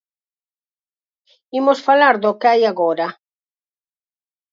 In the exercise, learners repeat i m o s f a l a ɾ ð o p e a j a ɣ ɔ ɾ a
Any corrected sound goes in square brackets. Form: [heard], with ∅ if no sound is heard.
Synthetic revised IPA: i m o s f a l a ɾ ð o [k] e a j a ɣ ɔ ɾ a